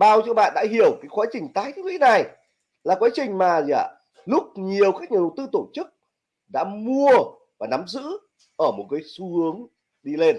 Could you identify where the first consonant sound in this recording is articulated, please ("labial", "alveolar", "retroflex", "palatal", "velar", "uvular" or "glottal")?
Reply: labial